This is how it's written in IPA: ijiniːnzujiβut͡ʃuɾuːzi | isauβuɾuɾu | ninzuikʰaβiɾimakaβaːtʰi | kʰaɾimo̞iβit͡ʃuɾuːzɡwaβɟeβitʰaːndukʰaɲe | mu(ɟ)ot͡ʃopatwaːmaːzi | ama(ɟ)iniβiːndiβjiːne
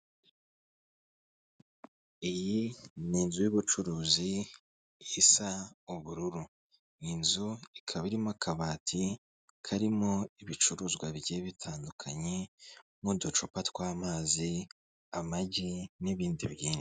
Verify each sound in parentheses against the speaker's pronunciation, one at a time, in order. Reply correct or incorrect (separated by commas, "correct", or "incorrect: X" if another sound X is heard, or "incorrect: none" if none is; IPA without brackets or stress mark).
incorrect: d, correct